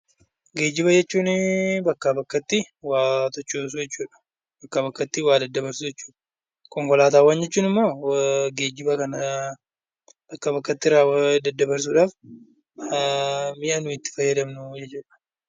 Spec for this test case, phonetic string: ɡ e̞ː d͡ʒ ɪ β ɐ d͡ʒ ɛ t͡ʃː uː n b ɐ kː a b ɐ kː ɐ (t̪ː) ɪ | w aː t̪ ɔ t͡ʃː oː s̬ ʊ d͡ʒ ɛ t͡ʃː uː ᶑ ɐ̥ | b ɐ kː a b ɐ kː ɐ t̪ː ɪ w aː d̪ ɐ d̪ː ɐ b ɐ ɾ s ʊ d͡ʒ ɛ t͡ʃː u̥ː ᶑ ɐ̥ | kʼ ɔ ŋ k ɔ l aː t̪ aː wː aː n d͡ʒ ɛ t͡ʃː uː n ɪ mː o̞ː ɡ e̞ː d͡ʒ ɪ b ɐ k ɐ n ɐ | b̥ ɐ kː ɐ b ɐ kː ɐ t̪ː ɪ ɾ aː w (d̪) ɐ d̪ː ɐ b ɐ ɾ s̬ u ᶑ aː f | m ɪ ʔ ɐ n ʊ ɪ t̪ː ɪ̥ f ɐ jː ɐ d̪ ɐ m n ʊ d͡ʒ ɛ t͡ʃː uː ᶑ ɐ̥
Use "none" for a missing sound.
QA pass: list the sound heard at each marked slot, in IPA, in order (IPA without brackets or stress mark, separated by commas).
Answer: t̪ː, d̪